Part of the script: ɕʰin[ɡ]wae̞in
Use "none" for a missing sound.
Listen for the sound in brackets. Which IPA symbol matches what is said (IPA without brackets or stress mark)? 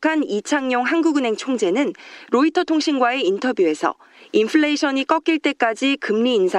ɡ